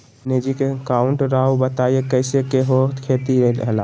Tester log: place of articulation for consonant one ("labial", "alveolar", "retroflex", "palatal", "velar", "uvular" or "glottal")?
alveolar